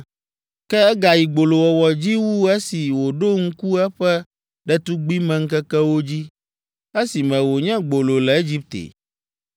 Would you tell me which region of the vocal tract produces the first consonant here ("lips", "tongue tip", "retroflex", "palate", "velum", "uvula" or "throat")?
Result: velum